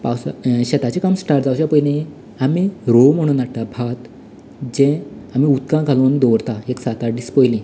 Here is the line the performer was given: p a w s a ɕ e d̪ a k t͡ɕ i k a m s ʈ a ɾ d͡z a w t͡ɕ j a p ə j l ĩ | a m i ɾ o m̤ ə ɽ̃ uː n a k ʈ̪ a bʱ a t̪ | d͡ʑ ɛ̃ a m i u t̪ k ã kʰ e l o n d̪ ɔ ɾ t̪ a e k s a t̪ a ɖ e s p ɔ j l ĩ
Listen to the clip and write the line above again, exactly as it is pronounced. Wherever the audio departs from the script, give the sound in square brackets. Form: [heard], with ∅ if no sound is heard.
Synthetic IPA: p a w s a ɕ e [t̪] a [∅] t͡ɕ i k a m s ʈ a ɾ d͡z a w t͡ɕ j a p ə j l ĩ | a m i ɾ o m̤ ə ɽ̃ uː n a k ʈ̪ a bʱ a t̪ | d͡ʑ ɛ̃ a m i u t̪ k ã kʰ [a] l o n d̪ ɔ ɾ t̪ a e k s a t̪ a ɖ [i] s p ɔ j l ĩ